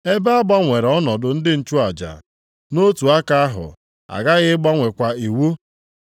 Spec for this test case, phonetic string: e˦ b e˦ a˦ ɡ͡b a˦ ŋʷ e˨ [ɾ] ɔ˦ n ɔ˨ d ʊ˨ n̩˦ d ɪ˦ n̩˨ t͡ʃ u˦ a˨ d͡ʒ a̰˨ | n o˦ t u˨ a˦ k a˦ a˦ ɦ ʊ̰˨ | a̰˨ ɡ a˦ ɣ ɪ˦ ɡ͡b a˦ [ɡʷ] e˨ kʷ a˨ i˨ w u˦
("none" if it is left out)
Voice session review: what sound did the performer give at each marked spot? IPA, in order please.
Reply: ɾ, ŋʷ

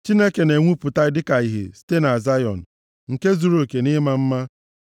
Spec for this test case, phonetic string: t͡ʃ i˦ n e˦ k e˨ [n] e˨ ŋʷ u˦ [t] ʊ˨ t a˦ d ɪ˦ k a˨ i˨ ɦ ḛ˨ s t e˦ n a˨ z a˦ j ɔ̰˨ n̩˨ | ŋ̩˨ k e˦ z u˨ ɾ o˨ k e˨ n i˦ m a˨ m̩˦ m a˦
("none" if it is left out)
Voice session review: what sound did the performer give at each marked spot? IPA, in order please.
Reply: n, p

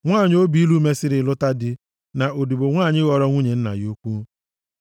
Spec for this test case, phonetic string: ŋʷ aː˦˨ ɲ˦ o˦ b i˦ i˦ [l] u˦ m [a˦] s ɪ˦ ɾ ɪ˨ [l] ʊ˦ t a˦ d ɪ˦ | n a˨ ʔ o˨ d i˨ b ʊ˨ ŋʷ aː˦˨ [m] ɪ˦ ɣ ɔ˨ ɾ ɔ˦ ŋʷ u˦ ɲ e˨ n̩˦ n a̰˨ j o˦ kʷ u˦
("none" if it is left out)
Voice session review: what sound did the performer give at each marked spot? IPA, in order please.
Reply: l, e˦, l, ɲ

